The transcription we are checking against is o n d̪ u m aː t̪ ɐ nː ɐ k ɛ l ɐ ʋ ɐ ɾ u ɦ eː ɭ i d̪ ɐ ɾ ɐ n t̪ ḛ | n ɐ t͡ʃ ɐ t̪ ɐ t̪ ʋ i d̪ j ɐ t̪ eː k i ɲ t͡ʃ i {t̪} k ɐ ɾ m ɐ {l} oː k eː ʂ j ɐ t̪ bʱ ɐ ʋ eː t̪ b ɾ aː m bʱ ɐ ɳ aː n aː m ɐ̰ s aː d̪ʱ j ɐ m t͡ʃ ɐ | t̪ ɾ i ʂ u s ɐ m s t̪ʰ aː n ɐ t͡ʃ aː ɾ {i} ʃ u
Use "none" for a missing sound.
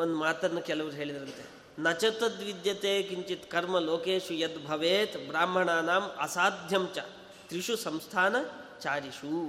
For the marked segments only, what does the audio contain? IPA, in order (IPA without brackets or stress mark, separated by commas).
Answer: t̪, l, i